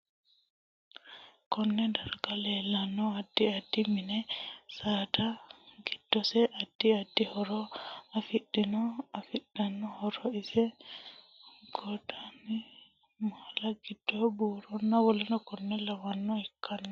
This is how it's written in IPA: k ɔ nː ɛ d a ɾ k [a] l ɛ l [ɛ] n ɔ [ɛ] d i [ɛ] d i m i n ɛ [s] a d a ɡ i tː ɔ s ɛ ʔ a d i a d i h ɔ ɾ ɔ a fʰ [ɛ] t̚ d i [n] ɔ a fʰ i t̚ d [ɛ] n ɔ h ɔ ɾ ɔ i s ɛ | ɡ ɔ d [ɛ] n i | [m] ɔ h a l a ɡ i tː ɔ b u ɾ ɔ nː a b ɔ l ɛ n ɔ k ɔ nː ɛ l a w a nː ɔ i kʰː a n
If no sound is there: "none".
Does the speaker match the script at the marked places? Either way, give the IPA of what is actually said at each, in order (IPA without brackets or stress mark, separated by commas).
a, a, a, a, s, i, n, a, a, m